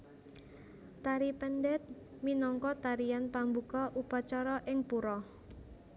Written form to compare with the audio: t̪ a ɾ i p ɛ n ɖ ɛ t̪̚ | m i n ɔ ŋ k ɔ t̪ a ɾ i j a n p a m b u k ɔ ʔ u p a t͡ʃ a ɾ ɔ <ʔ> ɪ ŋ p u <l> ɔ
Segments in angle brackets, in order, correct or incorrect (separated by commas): correct, incorrect